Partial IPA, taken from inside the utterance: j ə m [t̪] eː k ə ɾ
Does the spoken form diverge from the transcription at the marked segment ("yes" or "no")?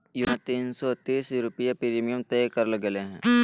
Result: no